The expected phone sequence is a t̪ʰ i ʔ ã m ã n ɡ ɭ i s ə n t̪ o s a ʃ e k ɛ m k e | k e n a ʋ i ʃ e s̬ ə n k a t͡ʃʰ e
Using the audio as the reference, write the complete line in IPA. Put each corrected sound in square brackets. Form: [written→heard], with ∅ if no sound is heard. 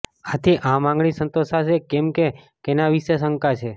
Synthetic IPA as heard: a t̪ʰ i ʔ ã m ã [n→ŋ] ɡ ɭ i s ə n t̪ o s a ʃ e k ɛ m k e | k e n a ʋ i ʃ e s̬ ə [n→ŋ] k a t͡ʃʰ e